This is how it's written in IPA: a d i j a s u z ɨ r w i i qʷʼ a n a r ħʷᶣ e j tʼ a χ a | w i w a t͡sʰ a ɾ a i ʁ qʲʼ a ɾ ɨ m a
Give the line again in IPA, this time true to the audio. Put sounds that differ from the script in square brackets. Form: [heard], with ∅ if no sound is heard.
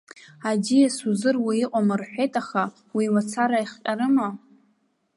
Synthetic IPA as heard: a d i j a s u z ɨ r w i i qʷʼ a [m] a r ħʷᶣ e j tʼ a χ a | w i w a t͡sʰ a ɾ a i [χ] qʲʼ a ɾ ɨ m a